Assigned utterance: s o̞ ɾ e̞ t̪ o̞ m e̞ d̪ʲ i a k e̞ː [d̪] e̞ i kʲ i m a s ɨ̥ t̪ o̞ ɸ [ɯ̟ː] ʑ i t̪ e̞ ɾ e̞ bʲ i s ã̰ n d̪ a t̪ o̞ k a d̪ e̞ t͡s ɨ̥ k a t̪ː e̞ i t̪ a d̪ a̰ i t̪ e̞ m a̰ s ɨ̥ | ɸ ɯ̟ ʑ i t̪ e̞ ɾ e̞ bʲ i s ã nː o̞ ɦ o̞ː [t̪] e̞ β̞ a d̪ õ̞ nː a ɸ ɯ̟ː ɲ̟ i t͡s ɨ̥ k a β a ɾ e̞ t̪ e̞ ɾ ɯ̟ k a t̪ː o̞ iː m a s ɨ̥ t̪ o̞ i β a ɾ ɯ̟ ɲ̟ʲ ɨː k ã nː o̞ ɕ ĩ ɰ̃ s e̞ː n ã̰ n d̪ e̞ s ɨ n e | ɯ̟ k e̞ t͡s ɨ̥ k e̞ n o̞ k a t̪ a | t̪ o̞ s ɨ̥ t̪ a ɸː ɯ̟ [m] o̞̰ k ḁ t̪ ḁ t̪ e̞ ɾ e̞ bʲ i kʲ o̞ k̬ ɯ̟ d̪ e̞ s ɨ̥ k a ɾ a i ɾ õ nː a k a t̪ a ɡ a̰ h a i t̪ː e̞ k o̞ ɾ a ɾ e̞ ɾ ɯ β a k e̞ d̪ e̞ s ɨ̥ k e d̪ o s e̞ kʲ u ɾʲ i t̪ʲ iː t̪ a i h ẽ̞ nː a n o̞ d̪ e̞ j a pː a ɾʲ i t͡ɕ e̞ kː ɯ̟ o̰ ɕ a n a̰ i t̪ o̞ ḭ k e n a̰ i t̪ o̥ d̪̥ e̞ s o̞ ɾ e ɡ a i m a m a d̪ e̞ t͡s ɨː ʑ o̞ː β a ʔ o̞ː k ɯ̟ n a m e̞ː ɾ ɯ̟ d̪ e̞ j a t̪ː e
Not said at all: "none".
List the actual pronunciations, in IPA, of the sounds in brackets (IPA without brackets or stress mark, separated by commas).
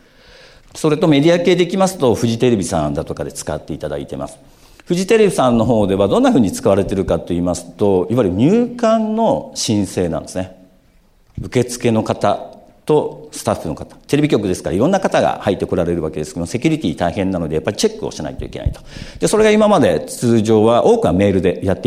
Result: d̪, ɯ̟, d̪, n